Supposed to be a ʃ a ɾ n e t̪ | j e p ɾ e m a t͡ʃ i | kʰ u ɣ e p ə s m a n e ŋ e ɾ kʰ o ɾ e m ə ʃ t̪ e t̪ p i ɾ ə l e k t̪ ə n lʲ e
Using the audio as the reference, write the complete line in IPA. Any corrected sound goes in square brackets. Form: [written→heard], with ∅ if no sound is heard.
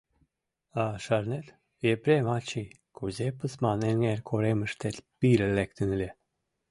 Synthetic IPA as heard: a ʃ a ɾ n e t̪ | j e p ɾ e m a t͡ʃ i | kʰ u [ɣ→z] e p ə s m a n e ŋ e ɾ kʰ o ɾ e m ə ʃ t̪ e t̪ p i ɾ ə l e k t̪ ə n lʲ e